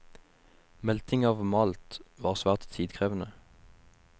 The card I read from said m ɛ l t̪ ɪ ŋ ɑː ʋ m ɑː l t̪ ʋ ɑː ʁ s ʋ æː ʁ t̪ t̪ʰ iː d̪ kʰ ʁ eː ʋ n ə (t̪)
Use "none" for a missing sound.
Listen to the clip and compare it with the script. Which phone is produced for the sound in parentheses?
none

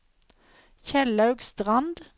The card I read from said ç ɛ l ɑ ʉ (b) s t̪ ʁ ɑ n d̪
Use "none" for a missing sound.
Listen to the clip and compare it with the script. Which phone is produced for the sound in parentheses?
ɡ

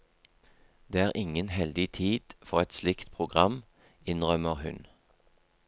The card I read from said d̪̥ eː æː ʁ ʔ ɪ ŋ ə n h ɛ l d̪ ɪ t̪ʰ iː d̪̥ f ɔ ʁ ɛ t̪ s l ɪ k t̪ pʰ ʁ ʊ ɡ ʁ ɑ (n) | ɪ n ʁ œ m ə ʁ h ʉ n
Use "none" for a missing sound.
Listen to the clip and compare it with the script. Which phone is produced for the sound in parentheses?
m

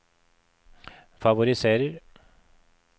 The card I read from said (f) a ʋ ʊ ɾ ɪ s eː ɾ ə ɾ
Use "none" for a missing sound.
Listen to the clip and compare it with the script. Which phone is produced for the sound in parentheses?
f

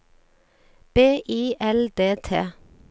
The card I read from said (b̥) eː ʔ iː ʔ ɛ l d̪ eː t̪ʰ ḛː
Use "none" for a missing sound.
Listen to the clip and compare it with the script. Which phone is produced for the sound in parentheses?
b̥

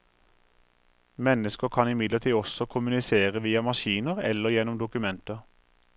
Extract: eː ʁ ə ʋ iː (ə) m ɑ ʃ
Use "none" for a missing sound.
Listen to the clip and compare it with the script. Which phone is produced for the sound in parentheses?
ɑ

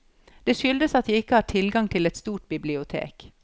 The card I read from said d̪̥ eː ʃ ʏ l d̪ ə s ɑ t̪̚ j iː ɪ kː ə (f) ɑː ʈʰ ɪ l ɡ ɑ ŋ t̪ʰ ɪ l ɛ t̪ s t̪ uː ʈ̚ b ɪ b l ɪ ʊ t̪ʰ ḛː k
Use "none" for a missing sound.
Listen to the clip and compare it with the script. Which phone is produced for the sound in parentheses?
h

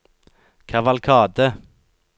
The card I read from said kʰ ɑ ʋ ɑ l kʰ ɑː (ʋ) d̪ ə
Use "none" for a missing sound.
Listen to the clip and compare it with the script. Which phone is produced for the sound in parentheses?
none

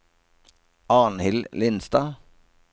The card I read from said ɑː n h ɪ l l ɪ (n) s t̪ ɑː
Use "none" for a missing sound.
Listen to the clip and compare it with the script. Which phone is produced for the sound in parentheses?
n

